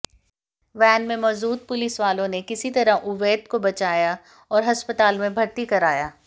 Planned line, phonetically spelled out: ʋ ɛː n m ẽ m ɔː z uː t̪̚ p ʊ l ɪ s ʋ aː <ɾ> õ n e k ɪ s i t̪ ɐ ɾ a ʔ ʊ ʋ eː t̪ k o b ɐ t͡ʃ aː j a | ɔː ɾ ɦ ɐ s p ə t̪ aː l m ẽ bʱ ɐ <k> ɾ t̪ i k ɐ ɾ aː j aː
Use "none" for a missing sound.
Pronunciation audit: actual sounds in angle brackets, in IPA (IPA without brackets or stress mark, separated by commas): l, none